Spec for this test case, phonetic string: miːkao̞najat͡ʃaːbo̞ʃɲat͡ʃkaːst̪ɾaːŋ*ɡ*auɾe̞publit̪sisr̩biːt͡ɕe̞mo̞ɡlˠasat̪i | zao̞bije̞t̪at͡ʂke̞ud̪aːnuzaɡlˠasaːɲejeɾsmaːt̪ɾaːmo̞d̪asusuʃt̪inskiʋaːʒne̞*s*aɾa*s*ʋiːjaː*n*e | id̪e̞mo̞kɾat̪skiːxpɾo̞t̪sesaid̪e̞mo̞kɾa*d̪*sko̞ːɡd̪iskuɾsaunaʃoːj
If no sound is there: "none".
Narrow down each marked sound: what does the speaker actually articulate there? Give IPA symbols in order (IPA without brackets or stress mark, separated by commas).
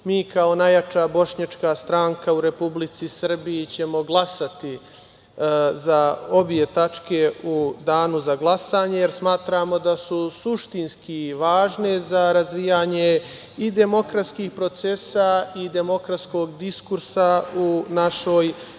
k, z, z, ɲ, t̪